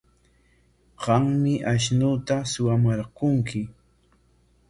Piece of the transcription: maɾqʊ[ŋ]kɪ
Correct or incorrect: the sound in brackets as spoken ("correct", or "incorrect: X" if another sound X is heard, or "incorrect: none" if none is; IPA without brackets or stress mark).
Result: correct